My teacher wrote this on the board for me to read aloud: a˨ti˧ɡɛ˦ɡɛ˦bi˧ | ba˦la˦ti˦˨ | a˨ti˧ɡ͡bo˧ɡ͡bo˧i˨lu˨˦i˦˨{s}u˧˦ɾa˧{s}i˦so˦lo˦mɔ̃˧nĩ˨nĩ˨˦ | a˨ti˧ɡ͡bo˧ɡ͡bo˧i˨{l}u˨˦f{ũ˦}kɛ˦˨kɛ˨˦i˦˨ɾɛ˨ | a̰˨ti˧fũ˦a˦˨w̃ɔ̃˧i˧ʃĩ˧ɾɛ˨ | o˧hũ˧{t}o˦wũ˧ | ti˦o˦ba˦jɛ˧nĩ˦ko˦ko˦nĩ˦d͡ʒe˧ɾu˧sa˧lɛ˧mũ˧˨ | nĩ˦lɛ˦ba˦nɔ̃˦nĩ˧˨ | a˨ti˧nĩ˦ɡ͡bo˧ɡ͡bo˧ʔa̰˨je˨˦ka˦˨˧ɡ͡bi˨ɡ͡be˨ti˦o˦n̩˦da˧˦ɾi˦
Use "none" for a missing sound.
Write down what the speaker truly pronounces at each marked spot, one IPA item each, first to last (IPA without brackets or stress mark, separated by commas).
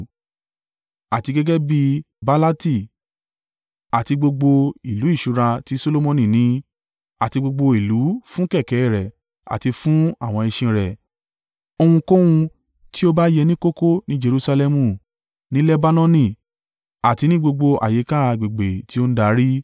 ʃ, t, l, ũ˦, k